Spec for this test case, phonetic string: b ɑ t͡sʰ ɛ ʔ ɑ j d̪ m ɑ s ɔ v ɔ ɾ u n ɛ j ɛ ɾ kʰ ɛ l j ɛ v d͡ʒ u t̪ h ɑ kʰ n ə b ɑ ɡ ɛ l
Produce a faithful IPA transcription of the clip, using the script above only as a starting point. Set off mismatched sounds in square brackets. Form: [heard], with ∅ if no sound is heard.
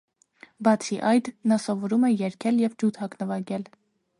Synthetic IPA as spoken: b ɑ t͡sʰ [i] ʔ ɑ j d̪ [n] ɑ s ɔ v ɔ ɾ u [m] ɛ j ɛ ɾ kʰ ɛ l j ɛ v d͡ʒ u t̪ h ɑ [k] n ə [v] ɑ ɡ ɛ l